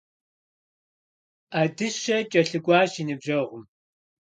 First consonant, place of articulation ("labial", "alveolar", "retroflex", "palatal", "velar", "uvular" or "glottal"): alveolar